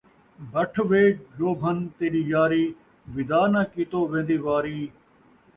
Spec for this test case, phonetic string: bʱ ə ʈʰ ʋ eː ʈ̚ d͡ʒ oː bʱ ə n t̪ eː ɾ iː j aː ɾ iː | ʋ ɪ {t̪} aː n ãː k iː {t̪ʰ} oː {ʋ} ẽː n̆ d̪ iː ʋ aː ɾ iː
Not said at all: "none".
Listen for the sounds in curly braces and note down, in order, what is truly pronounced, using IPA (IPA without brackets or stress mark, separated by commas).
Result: d̪, t̪, ʋ